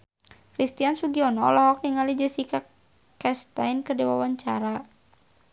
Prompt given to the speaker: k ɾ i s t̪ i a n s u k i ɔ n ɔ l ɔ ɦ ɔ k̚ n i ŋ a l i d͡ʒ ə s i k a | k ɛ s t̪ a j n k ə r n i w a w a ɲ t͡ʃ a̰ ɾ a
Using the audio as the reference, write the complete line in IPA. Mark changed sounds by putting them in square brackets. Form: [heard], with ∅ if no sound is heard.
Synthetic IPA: k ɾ i s t̪ i a n s u [ɡ] i ɔ n ɔ l ɔ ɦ ɔ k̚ n i ŋ a l i d͡ʒ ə s i k a | k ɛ s t̪ a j n k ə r [d] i w a w a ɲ t͡ʃ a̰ ɾ a

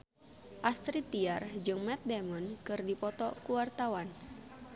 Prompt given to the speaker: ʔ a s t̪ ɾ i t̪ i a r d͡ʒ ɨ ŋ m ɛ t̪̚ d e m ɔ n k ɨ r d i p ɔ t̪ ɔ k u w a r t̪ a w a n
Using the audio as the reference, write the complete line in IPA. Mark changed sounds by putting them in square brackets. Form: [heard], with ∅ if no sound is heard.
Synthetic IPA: ʔ a s t̪ ɾ i t̪ i a r d͡ʒ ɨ ŋ m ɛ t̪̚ d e m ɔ n k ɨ r d i p ɔ t̪ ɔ k u w a r t̪ a w a n

